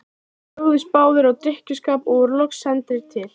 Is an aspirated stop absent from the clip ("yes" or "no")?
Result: no